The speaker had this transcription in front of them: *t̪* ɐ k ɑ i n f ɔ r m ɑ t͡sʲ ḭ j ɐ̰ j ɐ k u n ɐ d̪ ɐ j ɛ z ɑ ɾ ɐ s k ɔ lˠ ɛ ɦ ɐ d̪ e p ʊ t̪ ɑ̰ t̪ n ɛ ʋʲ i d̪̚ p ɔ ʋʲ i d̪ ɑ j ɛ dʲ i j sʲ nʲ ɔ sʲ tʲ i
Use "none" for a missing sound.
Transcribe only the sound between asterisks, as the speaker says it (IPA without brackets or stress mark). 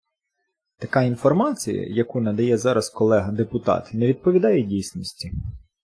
t̪